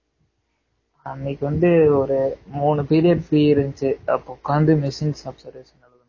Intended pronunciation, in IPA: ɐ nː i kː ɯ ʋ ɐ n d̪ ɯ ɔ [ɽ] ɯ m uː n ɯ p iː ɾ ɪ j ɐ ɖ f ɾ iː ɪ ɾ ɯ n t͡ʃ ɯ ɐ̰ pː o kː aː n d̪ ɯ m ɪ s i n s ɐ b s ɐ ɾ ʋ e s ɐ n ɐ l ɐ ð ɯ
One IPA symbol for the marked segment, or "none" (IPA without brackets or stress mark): ɾ